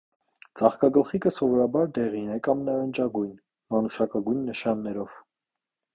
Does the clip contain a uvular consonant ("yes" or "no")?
yes